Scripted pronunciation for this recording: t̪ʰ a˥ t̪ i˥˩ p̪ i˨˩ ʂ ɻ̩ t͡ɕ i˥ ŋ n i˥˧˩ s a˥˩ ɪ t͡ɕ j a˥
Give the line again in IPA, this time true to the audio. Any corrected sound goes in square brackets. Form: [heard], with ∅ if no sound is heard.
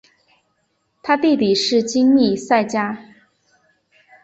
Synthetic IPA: t̪ʰ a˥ t̪ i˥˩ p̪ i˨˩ ʂ ɻ̩ t͡ɕ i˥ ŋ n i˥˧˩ s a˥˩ ɪ t͡ɕ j a˥